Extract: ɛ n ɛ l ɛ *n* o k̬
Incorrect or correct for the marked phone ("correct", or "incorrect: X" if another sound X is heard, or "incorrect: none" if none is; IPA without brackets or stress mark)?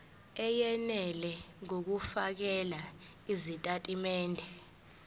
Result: incorrect: ŋ